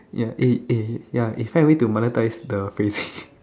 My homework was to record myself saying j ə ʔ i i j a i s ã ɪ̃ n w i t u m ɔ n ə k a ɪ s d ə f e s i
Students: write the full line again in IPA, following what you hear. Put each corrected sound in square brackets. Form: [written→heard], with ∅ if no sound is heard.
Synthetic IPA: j [ə→a] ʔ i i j a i [s→f] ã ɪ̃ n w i t u m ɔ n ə [k→t] a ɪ s d ə f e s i